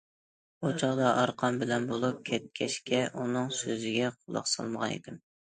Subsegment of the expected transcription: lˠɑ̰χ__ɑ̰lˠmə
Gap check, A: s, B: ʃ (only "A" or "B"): A